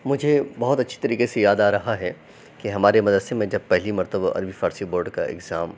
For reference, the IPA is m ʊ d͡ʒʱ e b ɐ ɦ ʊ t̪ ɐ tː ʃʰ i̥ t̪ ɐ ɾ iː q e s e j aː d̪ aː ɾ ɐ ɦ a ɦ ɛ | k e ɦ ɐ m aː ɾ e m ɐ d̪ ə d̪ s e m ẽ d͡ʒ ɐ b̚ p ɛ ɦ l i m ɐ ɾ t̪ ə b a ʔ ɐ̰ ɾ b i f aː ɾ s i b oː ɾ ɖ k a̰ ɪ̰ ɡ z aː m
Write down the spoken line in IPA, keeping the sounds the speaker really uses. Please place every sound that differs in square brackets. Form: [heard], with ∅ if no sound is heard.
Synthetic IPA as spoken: m ʊ d͡ʒʱ e b ɐ ɦ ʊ t̪ ɐ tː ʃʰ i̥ t̪ ɐ ɾ iː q e s e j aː d̪ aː ɾ ɐ ɦ a ɦ ɛ | k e ɦ ɐ m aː ɾ e m ɐ d̪ ə d̪ s e m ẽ d͡ʒ ɐ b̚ p ɛ ɦ l i m ɐ ɾ t̪ ə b a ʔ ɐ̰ ɾ b i f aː ɾ s i b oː ɾ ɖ k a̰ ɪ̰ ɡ z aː m

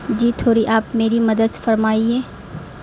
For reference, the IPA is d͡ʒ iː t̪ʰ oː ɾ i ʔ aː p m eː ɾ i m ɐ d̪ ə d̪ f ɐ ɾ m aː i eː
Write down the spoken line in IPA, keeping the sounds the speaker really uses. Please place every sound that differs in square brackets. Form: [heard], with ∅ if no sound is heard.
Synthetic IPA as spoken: d͡ʒ iː t̪ʰ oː ɾ i ʔ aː p m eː ɾ i m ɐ d̪ ə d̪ f ɐ ɾ m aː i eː

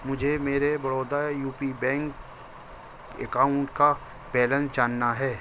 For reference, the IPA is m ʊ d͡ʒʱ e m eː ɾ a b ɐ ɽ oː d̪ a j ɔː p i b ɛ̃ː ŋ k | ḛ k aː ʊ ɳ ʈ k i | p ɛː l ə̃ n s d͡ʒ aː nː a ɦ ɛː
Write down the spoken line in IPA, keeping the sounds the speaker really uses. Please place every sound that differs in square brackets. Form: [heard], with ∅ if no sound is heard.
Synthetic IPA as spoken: m ʊ d͡ʒʱ e m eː ɾ [e] b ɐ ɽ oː d̪ a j [uː] p i b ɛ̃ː ŋ k | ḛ k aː ʊ ɳ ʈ k [a] | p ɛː l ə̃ n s d͡ʒ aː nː a ɦ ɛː

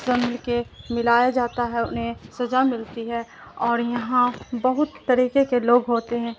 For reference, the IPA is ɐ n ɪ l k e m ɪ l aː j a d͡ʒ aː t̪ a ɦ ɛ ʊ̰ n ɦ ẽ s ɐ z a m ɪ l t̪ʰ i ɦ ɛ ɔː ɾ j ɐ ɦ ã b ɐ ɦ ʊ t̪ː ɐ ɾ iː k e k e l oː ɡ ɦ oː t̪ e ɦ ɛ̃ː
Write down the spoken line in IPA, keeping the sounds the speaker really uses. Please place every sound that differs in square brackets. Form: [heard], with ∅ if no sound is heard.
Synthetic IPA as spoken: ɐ [m] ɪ l k e m ɪ l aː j a d͡ʒ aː t̪ a ɦ ɛ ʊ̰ n ɦ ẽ s ɐ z a m ɪ l [t̪] i ɦ ɛ ɔː ɾ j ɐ ɦ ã b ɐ ɦ ʊ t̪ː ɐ ɾ iː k e k e l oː ɡ ɦ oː t̪ e ɦ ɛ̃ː

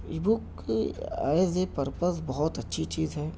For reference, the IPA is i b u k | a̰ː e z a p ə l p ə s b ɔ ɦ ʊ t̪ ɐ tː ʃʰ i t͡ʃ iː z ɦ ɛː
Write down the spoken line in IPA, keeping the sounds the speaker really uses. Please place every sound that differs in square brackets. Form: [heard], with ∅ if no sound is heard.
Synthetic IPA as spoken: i b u k | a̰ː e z [e] p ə [ɾ] p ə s b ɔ ɦ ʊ t̪ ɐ tː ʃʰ i t͡ʃ iː z ɦ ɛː

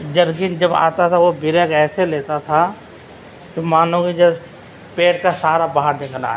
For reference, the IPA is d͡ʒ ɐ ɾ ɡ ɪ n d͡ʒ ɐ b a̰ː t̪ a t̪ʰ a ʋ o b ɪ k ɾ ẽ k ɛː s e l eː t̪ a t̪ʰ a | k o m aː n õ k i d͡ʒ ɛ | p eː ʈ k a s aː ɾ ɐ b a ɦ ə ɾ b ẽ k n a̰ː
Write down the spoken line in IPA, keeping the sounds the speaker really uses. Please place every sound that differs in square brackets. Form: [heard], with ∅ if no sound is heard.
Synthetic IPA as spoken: d͡ʒ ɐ ɾ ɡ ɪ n d͡ʒ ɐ b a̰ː t̪ a t̪ʰ a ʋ o b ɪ [∅] ɾ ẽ k ɛː s e l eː t̪ a t̪ʰ a | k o m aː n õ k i d͡ʒ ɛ | p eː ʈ k a s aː ɾ [a] b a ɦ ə ɾ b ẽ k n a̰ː

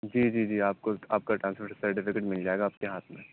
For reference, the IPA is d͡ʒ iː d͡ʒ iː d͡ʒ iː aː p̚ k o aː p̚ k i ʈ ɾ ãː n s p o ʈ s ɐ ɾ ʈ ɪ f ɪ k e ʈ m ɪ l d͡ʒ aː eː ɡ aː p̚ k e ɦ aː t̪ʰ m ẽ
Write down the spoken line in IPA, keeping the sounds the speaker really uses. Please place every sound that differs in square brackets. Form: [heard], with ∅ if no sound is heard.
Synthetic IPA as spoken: d͡ʒ iː d͡ʒ iː d͡ʒ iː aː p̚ k o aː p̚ k [a] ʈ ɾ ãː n s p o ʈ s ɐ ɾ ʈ ɪ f ɪ k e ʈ m ɪ l d͡ʒ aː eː ɡ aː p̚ k e ɦ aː t̪ʰ m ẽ

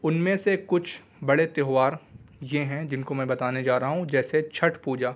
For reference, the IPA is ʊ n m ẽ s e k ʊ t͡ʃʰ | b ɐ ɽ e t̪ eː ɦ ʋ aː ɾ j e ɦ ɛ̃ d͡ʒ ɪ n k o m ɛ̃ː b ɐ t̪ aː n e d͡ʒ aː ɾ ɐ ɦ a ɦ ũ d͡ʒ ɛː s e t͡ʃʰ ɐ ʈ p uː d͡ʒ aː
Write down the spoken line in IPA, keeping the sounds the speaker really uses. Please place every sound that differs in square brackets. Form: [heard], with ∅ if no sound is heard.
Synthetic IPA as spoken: ʊ n m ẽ s e k ʊ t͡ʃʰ | b ɐ ɽ e t̪ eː ɦ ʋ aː ɾ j e ɦ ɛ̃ d͡ʒ ɪ n k o m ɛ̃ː b ɐ t̪ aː n e d͡ʒ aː ɾ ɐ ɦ a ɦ ũ d͡ʒ ɛː s e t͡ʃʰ ɐ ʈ p uː d͡ʒ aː

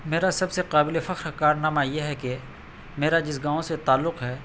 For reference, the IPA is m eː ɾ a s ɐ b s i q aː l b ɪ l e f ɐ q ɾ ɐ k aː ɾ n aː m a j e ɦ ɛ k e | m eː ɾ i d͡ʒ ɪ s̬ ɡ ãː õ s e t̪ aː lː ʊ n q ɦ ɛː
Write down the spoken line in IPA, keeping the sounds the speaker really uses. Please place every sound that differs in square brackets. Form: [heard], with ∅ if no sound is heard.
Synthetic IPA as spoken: m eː ɾ a s ɐ b s [e] q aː [∅] b ɪ l e f ɐ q ɾ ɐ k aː ɾ n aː m a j e ɦ ɛ k e | m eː ɾ [a] d͡ʒ ɪ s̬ ɡ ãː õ s e t̪ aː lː ʊ [∅] q ɦ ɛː

